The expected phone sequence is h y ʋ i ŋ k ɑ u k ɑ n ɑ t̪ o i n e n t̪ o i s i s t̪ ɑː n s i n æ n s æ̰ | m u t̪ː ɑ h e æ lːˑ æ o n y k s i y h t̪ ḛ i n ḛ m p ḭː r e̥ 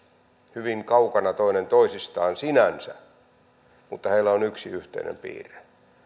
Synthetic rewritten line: h y ʋ i ŋ k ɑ u k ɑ n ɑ t̪ o i n e n t̪ o i s i s t̪ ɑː n s i n æ n s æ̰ | m u t̪ː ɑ h e i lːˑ æ o n y k s i y h t̪ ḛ i n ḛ m p ḭː r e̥